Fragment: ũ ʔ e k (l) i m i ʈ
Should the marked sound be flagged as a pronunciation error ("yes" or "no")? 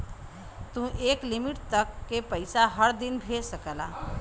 no